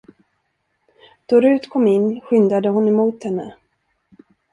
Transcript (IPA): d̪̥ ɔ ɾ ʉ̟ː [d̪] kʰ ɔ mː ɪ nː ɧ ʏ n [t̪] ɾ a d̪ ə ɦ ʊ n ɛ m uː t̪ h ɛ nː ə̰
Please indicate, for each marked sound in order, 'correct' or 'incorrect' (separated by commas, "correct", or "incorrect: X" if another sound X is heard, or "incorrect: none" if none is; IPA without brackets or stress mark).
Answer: incorrect: t̪, incorrect: d̪